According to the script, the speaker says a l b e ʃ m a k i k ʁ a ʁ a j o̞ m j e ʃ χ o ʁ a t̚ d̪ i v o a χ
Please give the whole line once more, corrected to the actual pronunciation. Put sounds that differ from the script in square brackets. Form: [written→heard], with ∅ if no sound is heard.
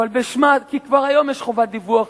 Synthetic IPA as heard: a l b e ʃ m a k i k [ʁ→v] a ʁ a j o̞ m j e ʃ χ o [ʁ→v] a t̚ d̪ i v [o→u] a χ